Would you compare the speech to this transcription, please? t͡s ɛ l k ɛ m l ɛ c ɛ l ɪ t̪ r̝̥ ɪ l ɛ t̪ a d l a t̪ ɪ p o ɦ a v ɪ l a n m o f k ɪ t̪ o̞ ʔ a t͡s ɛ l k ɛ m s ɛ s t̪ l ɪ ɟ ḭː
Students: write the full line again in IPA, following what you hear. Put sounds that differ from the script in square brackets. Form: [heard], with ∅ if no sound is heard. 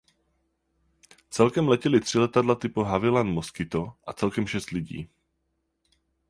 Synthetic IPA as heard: t͡s ɛ l k ɛ m l ɛ c ɛ l ɪ t̪ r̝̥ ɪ l ɛ t̪ a d l a t̪ ɪ p o ɦ a v ɪ l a n m o [s] k ɪ t̪ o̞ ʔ a t͡s ɛ l k ɛ m [ʃ] ɛ s t̪ l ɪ ɟ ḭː